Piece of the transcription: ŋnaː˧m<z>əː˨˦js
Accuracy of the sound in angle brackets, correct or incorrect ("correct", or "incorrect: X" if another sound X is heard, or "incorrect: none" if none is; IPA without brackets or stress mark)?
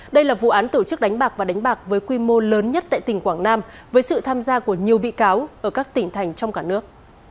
incorrect: v